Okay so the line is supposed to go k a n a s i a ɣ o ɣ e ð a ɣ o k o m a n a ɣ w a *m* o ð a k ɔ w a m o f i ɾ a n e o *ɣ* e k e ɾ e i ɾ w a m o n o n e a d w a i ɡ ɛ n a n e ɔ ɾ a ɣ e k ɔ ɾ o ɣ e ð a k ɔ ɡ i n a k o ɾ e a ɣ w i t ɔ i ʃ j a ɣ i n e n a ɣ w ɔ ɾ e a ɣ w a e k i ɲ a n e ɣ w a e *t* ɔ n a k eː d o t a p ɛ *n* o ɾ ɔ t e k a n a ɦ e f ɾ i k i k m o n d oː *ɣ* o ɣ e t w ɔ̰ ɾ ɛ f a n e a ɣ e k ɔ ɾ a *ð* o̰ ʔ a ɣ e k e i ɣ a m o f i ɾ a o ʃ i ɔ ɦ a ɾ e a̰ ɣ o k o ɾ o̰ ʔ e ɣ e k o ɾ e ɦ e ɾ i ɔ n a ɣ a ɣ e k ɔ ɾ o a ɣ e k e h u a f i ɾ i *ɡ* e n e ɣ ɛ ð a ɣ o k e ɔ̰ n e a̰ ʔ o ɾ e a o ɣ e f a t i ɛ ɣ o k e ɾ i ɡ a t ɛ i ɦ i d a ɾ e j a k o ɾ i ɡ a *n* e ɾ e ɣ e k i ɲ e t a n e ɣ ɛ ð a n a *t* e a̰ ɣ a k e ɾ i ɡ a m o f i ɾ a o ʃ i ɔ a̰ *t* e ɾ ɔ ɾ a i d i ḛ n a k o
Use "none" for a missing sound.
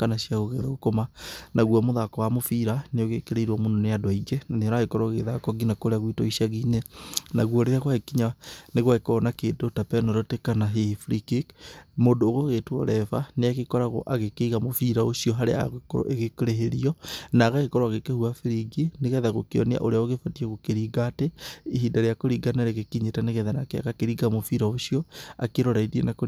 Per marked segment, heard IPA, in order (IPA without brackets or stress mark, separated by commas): m, ɣ, k, n, ɣ, ɣ, ɡ, n, k, k